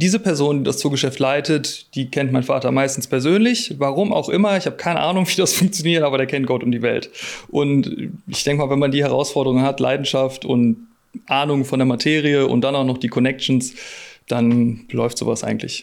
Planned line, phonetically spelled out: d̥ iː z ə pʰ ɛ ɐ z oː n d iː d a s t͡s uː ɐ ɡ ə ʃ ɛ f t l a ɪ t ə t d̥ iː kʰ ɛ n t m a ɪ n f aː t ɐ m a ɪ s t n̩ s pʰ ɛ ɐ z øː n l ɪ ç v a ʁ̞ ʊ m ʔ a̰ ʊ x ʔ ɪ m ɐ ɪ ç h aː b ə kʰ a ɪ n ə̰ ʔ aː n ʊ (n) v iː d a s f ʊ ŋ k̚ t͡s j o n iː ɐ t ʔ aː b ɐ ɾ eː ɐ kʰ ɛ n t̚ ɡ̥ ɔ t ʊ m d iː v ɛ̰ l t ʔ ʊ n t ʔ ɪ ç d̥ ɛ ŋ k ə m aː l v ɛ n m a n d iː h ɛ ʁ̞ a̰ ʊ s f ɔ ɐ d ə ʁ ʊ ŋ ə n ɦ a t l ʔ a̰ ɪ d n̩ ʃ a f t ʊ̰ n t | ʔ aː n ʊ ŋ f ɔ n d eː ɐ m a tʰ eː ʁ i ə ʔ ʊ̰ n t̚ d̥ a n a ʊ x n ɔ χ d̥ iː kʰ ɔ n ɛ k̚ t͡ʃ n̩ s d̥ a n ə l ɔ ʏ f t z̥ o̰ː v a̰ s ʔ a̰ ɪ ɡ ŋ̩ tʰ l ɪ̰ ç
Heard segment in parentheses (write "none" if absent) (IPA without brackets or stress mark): ŋ